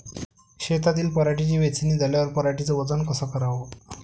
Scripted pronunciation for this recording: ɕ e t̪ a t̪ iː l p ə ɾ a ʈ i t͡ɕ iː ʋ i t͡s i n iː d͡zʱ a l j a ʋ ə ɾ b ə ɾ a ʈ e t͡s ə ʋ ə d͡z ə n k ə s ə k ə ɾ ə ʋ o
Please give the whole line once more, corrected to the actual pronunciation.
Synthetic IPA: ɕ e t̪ a t̪ iː l p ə ɾ a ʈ i t͡ɕ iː ʋ e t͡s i n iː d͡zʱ a l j a ʋ ə ɾ p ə ɾ a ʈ i t͡s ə ʋ ə d͡z ə n k ə s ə k ə ɾ a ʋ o

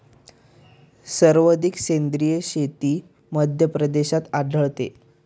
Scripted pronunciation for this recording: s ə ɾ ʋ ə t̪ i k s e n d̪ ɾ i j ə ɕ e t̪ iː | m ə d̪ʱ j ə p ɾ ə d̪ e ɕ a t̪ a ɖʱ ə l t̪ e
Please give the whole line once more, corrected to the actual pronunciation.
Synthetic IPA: s ə ɾ ʋ ə d̪ i k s e n d̪ ɾ i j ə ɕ e t̪ iː | m ə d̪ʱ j ə p ɾ ə d̪ e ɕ a t̪ a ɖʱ ə ɭ t̪ e

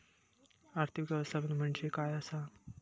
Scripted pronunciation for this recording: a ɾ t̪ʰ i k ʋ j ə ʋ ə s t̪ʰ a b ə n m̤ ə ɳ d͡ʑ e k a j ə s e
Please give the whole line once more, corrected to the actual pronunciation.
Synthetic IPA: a ɾ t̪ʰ i k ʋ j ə ʋ ə s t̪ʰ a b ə n m̤ ə ɳ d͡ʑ e k a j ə s a

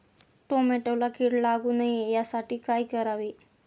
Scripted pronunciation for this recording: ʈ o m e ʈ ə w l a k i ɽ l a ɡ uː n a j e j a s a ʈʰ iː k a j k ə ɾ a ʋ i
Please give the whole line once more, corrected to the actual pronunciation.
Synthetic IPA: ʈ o m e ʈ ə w l a k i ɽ l a ɡ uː n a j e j a s a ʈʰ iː k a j k ə ɾ a ʋ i

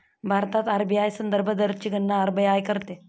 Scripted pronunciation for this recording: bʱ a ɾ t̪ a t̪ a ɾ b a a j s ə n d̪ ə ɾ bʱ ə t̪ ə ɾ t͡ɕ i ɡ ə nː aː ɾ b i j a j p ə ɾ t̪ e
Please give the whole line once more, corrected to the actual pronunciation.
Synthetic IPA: bʱ a ɾ t̪ a t̪ a ɾ b i a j s ə n d̪ ə ɾ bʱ ə d̪ ə ɾ t͡ɕ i ɡ ə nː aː ɾ b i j a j k ə ɾ t̪ e

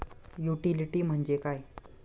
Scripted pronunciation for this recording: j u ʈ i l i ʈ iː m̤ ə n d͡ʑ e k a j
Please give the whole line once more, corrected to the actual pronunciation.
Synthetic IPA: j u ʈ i l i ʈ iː m̤ ə ɳ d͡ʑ e k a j

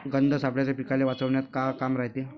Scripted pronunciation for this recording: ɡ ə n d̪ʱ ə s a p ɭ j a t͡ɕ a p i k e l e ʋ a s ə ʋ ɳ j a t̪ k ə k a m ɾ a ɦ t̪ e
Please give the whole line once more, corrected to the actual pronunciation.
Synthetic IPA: ɡ ə n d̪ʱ ə s a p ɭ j a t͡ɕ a p i k a l e ʋ a t͡s ə ʋ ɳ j a t̪ k a k a m ɾ a ɦ t̪ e

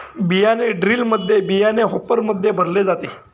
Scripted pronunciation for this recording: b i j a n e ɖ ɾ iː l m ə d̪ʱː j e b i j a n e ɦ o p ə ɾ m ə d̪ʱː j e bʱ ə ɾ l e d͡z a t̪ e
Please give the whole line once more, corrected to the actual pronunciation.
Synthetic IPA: b i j a n e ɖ ɾ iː l m ə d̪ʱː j e b i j a n e ɦ o p ə ɾ m ə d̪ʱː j e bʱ ə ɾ l e d͡z a t̪ e

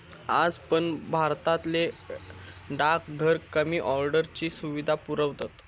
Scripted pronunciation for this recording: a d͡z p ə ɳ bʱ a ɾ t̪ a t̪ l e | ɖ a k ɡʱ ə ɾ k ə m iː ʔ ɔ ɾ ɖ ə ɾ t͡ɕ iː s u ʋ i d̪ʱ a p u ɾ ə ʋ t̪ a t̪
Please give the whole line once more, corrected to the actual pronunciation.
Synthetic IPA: a d͡z p ə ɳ bʱ a ɾ t̪ a t̪ l e | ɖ a k ɡʱ ə ɾ k ə m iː ʔ ɔ ɾ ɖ ə ɾ t͡ɕ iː s u ʋ i d̪ʱ a p u ɾ ə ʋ t̪ a t̪

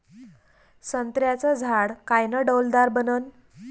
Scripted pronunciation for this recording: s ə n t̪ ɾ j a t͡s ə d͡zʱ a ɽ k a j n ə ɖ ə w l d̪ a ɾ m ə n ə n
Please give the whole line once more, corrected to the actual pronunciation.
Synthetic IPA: s ə n t̪ ɾ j a t͡s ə d͡zʱ a ɽ k a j n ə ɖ ə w l d̪ a ɾ b ə n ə n

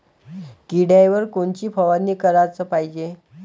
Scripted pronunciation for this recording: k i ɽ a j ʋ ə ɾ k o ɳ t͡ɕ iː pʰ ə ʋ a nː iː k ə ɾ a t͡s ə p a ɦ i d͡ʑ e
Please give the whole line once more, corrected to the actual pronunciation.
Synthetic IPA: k i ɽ a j ʋ ə ɾ k o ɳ t͡ɕ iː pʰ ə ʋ a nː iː k ə ɾ a t͡s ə p a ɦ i d͡ʑ e

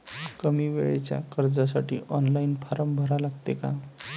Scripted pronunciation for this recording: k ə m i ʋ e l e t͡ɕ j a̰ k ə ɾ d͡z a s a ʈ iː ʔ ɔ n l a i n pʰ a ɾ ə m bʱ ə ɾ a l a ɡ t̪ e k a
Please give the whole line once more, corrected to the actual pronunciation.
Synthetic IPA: k ə m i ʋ e ɭ e t͡ɕ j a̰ k ə ɾ d͡z a s a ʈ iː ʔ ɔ n l a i n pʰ a ɾ ə m bʱ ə ɾ a l a ɡ t̪ e k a

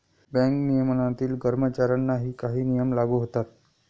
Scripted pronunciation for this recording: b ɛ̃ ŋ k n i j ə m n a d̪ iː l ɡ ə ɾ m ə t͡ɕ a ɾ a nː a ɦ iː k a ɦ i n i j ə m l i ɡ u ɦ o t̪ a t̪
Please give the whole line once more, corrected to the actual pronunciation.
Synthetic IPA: b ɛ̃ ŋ k n i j ə m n a t̪ iː l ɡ ə ɾ m ə t͡ɕ a ɾ a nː a ɦ iː k a ɦ iː n i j ə m l a ɡ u ɦ o t̪ a t̪

